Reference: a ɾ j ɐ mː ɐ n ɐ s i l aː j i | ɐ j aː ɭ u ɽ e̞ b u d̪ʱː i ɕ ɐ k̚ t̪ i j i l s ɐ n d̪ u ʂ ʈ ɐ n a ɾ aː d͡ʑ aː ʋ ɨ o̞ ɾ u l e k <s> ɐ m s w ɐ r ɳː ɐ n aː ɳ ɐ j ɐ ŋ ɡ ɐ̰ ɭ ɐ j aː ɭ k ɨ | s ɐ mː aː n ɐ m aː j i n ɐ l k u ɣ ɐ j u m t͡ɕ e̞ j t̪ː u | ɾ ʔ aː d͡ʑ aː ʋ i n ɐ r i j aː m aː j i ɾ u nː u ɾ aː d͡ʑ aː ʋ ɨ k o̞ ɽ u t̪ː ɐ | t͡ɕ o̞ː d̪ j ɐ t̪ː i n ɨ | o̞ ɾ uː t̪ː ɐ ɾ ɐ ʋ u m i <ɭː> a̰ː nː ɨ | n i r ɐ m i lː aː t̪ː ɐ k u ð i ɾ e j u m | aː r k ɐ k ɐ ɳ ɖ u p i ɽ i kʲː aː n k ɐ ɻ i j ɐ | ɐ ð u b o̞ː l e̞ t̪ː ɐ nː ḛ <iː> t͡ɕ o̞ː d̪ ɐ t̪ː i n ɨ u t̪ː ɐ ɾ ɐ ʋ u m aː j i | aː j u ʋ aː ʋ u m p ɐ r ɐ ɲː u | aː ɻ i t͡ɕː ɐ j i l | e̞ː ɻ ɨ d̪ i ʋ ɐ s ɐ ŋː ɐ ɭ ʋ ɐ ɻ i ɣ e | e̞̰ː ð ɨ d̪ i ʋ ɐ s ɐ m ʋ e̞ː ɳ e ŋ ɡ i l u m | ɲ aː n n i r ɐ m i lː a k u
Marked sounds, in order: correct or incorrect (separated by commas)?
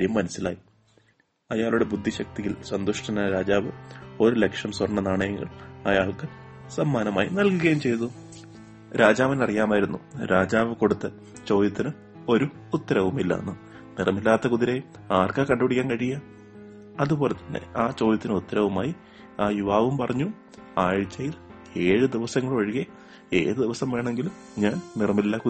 incorrect, incorrect, incorrect